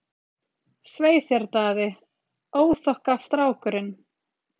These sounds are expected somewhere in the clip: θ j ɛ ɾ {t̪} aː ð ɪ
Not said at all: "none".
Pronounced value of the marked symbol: t̪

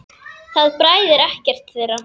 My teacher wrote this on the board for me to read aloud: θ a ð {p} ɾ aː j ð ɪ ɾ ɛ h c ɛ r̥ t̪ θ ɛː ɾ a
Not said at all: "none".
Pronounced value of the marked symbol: p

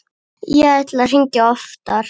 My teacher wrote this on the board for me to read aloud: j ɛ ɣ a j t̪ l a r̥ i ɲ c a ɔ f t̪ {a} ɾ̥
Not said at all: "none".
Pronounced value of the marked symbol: a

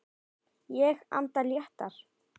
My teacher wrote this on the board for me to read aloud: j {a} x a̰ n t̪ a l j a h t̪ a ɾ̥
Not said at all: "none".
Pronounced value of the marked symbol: ɛ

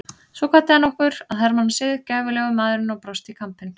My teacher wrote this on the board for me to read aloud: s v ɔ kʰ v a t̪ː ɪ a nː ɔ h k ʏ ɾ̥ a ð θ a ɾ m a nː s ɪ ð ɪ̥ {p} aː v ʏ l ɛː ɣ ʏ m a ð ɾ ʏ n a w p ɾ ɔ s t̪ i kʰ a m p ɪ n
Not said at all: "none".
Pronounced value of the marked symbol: c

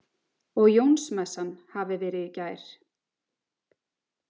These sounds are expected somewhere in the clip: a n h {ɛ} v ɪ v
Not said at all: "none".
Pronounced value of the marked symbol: a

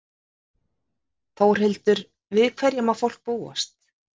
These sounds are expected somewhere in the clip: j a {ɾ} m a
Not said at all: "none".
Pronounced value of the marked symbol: none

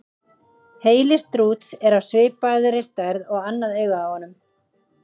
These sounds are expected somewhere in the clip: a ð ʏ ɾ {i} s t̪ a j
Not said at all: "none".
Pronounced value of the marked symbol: ɪ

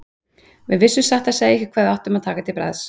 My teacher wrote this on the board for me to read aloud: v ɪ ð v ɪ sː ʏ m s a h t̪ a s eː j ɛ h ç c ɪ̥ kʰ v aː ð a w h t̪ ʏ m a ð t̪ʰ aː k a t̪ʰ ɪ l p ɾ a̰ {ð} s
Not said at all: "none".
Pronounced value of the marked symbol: ð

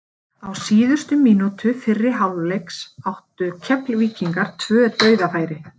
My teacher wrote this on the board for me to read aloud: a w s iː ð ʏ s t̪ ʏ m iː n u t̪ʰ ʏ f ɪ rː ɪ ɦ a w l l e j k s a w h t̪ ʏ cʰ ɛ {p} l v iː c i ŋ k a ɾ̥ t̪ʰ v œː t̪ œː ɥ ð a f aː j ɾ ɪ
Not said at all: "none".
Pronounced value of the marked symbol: p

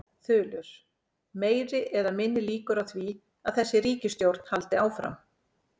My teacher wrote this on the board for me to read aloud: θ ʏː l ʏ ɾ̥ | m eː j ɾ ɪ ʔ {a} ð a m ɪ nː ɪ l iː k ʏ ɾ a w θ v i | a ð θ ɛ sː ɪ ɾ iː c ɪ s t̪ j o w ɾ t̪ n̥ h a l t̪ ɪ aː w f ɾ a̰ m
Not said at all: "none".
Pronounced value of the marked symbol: ɛ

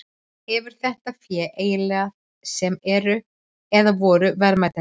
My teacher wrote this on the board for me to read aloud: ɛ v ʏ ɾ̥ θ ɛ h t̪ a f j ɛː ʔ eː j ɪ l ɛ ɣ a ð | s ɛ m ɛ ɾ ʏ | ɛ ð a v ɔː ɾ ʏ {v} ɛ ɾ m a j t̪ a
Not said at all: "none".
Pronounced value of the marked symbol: v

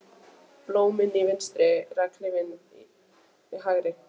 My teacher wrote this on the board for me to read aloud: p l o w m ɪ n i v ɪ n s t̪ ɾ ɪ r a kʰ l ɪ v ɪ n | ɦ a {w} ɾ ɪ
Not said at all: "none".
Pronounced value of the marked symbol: ɣ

